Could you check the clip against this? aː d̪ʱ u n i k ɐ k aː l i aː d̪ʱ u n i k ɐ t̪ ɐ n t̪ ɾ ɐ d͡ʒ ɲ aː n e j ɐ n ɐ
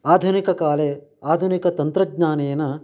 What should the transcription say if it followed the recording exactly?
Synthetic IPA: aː d̪ʱ u n i k ɐ k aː l e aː d̪ʱ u n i k ɐ t̪ ɐ n t̪ ɾ ɐ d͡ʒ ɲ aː n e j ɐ n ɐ